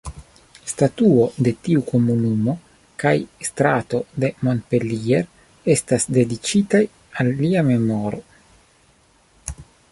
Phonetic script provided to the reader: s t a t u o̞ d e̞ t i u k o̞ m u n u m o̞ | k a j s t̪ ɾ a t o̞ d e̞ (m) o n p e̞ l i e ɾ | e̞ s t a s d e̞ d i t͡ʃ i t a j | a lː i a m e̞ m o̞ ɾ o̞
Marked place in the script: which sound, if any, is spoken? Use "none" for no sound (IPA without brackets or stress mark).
m